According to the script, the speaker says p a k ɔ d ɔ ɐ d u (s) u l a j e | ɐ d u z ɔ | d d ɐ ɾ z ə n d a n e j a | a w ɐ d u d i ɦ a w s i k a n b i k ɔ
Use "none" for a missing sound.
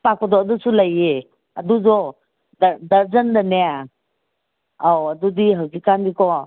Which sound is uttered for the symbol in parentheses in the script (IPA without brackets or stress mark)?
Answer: s